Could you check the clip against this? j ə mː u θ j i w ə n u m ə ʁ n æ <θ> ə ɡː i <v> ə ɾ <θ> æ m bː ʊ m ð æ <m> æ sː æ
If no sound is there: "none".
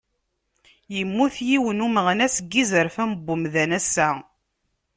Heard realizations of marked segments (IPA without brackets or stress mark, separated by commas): s, z, f, n